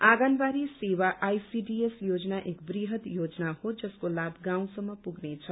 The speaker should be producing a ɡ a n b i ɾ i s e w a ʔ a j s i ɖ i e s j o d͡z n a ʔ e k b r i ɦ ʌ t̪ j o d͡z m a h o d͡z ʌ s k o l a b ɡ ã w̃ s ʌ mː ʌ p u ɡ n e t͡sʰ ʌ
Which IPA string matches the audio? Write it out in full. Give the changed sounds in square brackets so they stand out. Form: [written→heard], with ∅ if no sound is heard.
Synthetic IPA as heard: a ɡ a n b [i→a] ɾ i s e w a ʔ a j s i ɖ i e s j o d͡z n a ʔ e k b r i ɦ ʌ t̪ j o d͡z [m→n] a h o d͡z ʌ s k o l a b ɡ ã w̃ s ʌ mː ʌ p u ɡ n e t͡sʰ ʌ